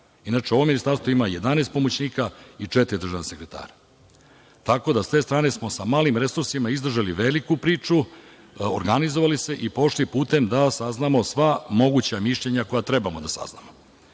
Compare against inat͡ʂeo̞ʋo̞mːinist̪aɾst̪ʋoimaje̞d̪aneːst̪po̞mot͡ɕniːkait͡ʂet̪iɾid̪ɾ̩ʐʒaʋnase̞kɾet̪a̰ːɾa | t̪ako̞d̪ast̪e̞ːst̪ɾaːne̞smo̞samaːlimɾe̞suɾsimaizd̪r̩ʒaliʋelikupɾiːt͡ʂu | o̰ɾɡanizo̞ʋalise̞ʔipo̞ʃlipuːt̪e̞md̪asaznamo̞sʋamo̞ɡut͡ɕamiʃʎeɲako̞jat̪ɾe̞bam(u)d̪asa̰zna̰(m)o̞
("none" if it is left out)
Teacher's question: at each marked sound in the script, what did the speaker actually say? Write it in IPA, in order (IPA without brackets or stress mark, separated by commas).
o, m